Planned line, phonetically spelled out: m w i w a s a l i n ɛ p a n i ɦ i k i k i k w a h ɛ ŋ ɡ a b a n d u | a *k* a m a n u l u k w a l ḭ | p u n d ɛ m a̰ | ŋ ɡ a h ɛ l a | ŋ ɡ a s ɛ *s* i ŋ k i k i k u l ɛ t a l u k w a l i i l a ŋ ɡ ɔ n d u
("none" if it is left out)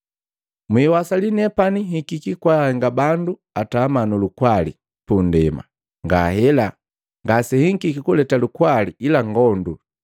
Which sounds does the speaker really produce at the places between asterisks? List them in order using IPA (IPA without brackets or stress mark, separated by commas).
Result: t, h